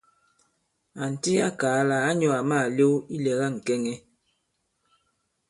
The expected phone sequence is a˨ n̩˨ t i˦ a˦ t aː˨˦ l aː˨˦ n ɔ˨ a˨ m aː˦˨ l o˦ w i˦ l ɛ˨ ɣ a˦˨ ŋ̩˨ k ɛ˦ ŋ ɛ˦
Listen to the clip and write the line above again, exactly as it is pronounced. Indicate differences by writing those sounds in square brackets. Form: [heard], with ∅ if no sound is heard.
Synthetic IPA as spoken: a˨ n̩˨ t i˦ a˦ [k] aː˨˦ l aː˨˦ [ɲ] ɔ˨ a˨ m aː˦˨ l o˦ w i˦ l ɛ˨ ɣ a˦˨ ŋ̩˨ k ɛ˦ ŋ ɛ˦